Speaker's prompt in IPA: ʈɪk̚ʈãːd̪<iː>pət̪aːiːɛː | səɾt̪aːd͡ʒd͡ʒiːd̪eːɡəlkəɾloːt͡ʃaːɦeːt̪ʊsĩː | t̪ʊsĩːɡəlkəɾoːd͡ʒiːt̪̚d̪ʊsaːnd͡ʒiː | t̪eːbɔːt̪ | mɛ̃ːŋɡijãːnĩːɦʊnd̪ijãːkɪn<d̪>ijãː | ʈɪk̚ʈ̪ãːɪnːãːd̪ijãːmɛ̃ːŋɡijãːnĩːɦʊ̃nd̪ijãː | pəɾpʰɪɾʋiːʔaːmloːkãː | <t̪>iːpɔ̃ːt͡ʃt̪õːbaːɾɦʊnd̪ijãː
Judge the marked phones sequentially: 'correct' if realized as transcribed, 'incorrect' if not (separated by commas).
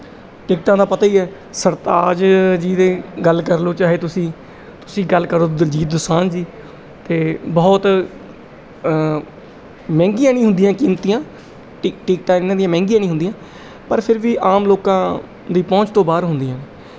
incorrect, incorrect, incorrect